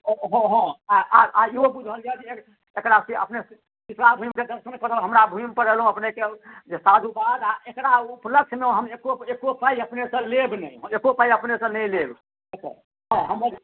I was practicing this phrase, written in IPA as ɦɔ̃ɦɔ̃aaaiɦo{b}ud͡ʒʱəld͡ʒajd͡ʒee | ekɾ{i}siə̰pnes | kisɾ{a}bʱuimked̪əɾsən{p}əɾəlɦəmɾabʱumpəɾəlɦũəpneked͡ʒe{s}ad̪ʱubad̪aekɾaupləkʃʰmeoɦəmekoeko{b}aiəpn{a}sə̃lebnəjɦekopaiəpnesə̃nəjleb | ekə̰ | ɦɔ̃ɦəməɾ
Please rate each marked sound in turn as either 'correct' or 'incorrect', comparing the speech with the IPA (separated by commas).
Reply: correct, incorrect, correct, incorrect, correct, incorrect, incorrect